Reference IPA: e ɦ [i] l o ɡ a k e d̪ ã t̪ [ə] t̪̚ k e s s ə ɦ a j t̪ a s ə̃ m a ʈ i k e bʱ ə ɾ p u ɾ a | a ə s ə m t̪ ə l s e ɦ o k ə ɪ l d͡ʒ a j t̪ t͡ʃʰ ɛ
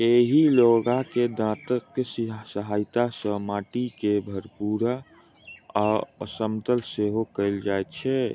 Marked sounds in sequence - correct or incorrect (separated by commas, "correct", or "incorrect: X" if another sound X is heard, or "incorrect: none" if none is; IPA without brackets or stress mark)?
correct, correct